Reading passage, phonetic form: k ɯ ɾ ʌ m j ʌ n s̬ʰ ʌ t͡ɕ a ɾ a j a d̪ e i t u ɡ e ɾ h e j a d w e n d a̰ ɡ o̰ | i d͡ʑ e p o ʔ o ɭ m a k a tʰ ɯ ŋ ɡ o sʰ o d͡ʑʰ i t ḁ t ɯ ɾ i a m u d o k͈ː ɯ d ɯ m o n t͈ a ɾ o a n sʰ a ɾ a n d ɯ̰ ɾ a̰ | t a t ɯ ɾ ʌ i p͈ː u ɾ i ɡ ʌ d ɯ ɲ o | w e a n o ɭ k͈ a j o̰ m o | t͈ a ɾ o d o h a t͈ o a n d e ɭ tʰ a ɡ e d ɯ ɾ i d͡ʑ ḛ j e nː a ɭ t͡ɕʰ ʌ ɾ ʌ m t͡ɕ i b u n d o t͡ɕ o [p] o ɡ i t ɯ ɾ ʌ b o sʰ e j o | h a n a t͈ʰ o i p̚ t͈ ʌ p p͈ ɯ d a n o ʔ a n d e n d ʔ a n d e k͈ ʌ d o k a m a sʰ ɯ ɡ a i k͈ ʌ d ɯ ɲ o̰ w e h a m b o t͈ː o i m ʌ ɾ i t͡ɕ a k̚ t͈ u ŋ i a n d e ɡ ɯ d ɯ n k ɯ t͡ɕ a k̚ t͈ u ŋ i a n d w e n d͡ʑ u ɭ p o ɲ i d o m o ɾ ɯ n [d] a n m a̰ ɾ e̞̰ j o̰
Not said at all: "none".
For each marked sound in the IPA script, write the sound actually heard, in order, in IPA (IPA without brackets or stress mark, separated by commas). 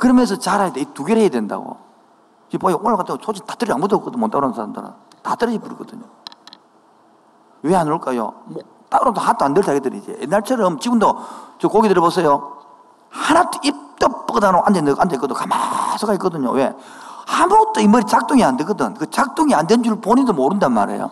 k, d